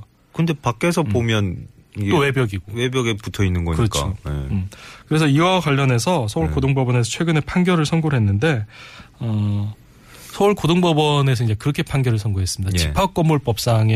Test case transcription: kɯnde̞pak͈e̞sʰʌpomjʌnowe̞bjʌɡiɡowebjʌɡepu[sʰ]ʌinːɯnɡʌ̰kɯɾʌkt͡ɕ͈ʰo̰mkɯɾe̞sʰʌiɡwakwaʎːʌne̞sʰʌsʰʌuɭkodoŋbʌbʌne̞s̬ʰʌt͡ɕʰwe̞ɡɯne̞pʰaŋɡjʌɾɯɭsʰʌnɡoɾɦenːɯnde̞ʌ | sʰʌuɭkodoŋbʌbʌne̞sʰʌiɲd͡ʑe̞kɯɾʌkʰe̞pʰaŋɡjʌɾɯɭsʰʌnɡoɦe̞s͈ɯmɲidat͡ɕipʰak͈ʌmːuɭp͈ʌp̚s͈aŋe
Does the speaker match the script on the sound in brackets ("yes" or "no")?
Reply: no